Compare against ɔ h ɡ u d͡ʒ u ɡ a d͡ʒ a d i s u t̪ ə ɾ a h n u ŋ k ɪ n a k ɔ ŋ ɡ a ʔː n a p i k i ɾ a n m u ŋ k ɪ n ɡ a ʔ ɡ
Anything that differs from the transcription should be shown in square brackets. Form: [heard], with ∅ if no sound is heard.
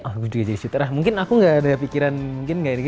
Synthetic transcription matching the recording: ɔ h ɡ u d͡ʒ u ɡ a d͡ʒ a d i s u t̪ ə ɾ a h [m] u ŋ k ɪ n a k [u] ŋ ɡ a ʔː [d] a p i k i ɾ a n m u ŋ k ɪ n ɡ a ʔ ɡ